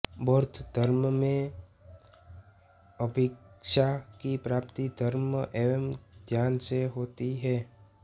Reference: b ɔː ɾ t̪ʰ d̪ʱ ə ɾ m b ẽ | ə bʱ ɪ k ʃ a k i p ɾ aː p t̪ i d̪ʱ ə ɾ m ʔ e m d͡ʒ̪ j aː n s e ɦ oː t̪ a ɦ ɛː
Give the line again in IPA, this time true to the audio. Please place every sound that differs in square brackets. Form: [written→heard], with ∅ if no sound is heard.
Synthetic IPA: b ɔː ɾ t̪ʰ d̪ʱ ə ɾ m [b→m] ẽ | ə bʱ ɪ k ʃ a k i p ɾ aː p t̪ i d̪ʱ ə ɾ m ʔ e m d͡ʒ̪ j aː n s e ɦ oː t̪ [a→i] ɦ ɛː